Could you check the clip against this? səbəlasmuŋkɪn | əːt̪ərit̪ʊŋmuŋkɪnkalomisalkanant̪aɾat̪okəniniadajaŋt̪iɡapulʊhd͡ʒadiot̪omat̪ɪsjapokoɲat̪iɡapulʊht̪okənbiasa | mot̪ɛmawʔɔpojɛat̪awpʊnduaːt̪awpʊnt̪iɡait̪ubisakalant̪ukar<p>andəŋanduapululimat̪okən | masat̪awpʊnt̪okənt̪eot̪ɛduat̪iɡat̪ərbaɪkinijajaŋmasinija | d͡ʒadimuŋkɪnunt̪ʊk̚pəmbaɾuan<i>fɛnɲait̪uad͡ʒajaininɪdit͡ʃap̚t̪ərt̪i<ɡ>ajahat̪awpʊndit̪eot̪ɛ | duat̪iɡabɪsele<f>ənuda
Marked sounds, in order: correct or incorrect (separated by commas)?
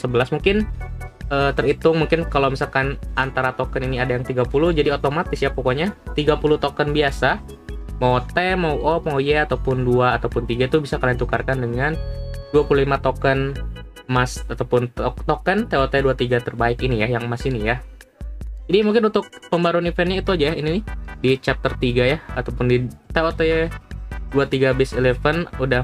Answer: incorrect, correct, correct, correct